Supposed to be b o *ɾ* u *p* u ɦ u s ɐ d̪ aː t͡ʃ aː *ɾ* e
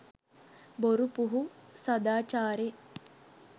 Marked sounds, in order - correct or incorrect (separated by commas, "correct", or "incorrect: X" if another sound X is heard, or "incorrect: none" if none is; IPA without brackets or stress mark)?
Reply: correct, correct, correct